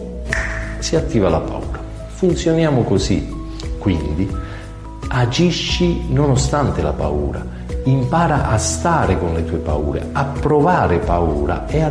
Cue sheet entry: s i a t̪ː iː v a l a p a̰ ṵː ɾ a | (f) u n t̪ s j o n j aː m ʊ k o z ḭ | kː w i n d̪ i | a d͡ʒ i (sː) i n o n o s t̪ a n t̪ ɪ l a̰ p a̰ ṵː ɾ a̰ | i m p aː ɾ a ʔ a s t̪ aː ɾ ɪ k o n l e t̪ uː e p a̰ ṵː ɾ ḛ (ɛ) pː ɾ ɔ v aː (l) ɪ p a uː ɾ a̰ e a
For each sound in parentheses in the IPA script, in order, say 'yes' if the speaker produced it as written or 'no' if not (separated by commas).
yes, no, no, no